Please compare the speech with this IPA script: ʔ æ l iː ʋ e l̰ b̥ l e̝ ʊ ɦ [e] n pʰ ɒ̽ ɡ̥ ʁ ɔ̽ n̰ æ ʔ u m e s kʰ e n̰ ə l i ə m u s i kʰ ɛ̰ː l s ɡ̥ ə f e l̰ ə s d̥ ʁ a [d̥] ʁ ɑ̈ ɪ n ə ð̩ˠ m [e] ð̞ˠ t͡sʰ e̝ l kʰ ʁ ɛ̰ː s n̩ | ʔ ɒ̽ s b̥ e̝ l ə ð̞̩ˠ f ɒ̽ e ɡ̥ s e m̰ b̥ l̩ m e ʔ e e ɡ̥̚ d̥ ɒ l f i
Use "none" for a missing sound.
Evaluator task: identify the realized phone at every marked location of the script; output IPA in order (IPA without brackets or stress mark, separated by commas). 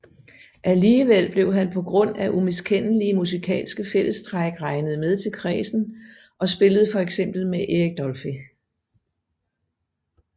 æ, ɡ̥, e